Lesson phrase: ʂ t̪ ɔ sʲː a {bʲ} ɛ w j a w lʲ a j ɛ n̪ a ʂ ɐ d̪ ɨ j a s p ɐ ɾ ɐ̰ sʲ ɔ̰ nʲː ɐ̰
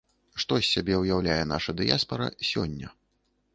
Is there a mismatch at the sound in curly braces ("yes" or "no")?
no